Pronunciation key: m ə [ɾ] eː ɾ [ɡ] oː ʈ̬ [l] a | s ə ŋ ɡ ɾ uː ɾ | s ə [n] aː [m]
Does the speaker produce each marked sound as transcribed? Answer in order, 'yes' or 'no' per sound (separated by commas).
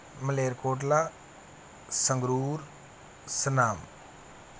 no, no, yes, yes, yes